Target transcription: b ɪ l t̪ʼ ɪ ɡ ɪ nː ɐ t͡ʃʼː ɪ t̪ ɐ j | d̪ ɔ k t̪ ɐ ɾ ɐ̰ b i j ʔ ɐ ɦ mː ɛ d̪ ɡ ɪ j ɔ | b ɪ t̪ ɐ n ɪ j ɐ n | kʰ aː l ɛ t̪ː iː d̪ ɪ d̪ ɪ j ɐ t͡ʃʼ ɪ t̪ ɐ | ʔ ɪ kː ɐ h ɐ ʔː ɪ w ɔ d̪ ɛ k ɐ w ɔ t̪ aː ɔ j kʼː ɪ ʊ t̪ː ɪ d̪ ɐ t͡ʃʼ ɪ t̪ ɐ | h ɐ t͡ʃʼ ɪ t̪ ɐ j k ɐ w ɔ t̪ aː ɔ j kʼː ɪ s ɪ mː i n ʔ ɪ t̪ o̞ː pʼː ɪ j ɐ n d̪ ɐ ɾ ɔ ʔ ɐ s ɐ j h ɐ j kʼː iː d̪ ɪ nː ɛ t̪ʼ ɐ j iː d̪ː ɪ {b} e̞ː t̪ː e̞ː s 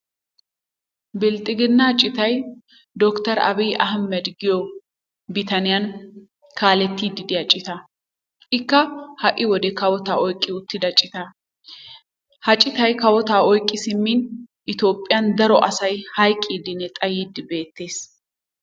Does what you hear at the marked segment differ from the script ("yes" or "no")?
no